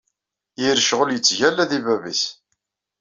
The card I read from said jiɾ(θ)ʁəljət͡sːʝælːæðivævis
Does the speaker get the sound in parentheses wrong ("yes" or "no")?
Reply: yes